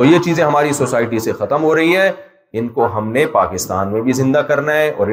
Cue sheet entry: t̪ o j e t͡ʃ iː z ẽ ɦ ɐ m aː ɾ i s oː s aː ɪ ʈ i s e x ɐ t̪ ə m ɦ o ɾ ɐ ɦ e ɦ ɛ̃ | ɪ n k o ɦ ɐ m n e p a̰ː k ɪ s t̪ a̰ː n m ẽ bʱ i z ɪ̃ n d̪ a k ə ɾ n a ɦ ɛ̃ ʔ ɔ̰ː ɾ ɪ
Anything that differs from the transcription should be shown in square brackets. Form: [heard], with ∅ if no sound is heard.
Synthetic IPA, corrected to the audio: t̪ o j e t͡ʃ iː z ẽ ɦ ɐ m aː ɾ i s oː s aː ɪ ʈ i s e x ɐ t̪ ə m ɦ o ɾ ɐ ɦ [i] ɦ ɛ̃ | ɪ n k o ɦ ɐ m n e p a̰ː k ɪ s t̪ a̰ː n m ẽ bʱ i z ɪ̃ n d̪ a k [ɐ] ɾ n a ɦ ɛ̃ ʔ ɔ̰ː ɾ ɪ